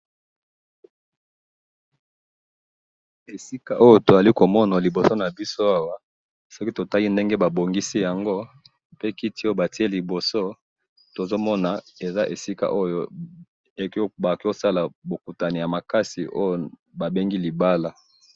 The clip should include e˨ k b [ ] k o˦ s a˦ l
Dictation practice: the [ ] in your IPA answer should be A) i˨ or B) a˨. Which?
B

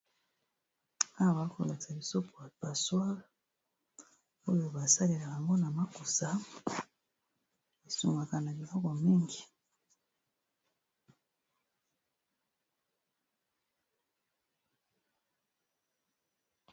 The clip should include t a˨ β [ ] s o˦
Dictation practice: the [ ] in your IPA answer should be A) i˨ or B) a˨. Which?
A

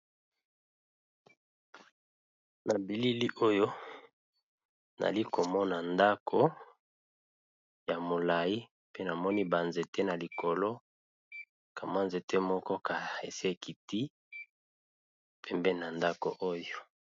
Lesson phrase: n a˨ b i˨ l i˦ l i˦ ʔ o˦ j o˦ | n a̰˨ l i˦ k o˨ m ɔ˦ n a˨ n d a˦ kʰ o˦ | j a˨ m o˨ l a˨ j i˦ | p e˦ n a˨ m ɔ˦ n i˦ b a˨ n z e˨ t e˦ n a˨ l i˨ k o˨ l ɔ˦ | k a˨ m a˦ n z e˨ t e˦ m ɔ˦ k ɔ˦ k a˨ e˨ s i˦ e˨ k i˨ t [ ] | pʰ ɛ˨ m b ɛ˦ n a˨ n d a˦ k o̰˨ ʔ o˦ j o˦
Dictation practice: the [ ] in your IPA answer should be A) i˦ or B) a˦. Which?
A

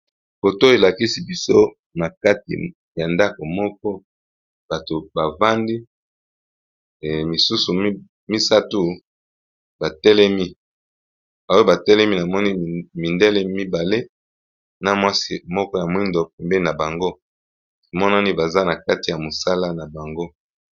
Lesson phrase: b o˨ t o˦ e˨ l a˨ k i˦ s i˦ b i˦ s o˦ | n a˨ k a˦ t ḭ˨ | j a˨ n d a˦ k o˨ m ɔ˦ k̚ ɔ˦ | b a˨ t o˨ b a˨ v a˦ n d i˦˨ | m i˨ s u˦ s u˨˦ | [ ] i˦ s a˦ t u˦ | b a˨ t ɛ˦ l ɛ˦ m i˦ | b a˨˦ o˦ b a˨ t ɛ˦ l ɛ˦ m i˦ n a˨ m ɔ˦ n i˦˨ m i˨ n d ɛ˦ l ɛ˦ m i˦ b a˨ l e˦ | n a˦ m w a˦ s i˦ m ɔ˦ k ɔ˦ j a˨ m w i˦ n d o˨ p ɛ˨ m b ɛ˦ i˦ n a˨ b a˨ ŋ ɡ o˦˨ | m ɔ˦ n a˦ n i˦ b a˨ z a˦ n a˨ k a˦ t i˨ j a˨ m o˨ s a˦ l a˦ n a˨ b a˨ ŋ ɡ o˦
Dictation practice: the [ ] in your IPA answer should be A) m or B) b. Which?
A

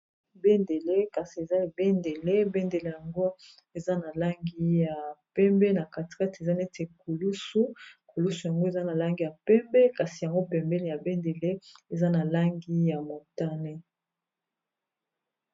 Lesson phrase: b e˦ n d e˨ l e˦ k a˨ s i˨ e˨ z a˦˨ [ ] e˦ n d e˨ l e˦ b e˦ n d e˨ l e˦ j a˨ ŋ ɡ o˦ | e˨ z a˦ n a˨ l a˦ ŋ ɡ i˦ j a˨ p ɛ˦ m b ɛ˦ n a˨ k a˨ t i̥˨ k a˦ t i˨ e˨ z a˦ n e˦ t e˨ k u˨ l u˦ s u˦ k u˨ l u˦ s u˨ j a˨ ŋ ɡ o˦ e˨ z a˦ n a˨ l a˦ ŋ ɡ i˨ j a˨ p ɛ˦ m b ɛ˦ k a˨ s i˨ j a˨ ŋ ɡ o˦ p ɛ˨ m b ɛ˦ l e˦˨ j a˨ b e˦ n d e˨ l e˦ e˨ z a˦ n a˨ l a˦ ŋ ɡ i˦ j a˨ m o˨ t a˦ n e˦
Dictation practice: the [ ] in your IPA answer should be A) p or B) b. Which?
B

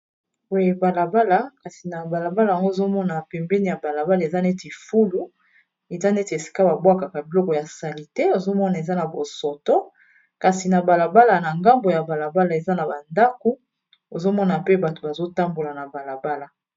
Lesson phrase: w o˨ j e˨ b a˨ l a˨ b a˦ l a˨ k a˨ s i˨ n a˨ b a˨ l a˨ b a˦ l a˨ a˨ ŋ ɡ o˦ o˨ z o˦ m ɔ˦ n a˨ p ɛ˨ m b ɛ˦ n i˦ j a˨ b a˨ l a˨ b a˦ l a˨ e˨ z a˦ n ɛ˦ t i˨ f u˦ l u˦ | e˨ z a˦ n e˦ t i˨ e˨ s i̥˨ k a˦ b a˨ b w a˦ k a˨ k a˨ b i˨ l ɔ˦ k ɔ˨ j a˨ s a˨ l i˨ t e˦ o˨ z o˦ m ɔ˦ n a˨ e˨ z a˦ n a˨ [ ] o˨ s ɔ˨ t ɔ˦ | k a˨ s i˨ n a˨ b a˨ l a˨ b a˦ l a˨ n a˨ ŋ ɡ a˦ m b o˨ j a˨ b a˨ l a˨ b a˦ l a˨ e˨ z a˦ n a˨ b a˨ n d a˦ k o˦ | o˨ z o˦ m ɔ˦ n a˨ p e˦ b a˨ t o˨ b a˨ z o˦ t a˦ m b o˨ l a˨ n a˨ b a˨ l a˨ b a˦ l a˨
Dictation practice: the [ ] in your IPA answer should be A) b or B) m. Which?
A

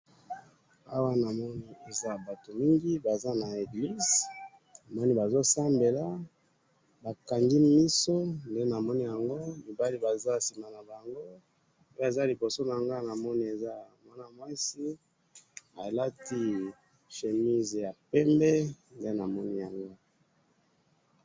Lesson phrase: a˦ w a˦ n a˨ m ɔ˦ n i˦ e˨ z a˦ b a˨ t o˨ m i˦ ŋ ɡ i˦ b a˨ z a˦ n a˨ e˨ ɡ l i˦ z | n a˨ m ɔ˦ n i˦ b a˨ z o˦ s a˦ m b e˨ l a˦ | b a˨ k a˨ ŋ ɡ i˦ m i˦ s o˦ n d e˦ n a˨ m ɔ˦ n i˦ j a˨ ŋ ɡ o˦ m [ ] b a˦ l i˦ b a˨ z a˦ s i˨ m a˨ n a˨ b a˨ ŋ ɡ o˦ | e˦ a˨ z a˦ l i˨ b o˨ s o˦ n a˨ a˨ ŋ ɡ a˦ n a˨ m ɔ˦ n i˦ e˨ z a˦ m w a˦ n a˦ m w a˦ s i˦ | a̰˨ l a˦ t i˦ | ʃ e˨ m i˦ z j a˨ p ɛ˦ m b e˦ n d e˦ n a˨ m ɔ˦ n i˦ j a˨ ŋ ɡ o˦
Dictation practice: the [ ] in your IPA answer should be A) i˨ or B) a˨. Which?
A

